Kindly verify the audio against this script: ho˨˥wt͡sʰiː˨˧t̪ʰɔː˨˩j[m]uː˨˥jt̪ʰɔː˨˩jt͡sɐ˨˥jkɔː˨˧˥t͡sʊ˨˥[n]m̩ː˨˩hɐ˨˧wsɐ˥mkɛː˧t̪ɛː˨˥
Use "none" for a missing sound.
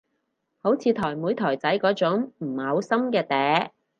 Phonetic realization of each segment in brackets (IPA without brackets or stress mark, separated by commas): m, ŋ